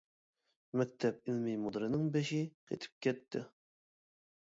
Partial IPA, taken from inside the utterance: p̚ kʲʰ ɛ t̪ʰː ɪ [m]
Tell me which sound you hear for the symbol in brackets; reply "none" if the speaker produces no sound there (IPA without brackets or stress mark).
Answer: none